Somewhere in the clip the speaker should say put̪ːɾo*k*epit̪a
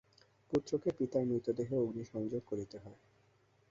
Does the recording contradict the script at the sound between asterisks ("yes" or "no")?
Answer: no